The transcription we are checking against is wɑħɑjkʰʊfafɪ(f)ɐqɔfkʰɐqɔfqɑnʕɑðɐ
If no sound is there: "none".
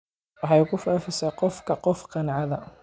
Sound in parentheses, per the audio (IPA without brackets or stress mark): s